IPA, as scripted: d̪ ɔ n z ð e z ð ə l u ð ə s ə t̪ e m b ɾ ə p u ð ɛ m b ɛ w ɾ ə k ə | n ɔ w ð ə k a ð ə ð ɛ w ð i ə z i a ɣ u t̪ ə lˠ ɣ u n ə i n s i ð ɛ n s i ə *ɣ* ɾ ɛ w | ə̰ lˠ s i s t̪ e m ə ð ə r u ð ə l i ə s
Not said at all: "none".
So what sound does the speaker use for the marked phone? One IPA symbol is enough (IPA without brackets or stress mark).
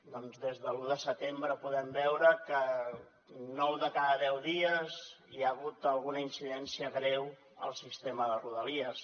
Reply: ɣ